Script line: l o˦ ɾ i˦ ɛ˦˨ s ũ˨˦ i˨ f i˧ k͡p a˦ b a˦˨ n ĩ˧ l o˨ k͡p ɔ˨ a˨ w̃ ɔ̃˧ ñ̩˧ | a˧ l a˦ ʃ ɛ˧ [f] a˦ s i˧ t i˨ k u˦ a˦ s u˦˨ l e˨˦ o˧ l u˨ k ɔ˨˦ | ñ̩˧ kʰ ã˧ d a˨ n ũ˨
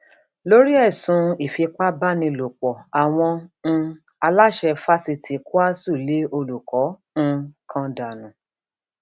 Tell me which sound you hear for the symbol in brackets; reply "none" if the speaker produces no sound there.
f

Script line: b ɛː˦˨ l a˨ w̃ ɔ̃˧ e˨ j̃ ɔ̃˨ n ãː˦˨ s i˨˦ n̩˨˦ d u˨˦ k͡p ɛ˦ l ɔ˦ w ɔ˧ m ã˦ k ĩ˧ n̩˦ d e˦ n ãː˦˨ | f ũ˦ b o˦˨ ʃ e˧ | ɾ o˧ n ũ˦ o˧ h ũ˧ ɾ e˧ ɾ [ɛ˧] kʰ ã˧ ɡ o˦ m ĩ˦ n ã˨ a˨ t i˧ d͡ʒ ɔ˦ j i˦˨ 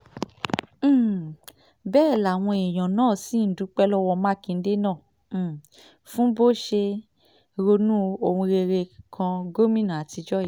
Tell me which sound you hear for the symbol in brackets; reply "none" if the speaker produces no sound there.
e˧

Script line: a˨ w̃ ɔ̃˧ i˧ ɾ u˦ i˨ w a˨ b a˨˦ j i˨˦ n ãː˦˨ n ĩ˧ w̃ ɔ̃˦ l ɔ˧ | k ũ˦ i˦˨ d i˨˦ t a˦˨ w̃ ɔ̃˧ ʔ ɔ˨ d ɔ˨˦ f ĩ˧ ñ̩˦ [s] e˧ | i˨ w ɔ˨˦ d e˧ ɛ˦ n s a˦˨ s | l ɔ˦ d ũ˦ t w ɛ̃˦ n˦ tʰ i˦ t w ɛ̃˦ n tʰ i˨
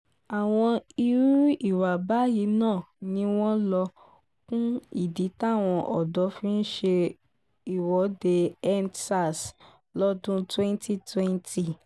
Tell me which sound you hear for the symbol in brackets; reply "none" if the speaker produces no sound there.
ʃ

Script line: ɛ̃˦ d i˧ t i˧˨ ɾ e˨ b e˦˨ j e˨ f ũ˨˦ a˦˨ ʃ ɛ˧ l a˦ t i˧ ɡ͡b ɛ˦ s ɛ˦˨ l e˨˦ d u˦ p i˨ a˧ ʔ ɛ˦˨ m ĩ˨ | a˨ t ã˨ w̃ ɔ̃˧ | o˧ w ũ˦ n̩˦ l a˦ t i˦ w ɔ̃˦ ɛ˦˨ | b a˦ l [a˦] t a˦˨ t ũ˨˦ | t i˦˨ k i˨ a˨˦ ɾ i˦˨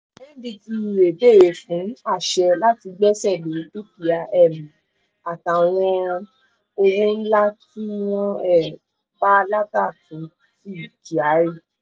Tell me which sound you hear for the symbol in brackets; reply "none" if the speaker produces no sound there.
a˦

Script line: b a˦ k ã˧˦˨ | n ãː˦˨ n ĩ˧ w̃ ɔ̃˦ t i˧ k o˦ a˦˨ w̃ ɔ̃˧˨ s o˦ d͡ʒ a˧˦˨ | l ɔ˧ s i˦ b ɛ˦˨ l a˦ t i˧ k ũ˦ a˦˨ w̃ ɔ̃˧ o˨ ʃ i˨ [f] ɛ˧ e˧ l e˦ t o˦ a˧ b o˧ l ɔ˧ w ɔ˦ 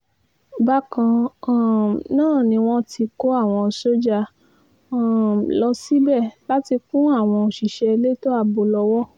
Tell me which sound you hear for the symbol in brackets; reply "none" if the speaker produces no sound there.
ʃ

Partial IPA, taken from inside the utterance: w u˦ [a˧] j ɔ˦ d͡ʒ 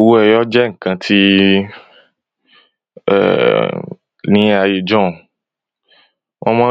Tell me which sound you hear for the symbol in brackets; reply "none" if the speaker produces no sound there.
ɛ˧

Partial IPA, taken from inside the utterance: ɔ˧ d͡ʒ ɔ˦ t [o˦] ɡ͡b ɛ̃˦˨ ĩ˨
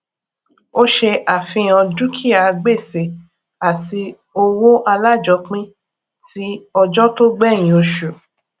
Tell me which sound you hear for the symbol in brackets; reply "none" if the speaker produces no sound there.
o˦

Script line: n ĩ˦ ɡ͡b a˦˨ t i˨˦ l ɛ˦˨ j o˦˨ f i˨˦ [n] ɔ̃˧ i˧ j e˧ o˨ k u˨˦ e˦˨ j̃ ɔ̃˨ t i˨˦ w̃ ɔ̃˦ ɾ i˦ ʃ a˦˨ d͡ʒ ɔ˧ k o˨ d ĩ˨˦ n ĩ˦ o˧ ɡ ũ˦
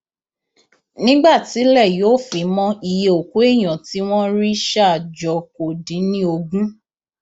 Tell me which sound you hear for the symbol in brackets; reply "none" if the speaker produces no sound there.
m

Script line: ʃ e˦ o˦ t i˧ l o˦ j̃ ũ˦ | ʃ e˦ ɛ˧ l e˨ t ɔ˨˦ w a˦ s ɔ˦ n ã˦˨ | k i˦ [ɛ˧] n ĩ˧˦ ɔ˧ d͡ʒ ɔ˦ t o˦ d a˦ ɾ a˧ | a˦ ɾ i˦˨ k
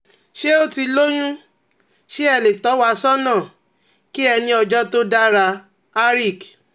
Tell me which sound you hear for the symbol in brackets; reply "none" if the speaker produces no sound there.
ɛ˧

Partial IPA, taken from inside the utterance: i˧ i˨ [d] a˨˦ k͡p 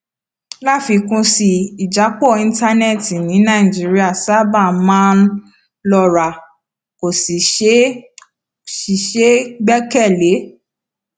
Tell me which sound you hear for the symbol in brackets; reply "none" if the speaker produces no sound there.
d͡ʒ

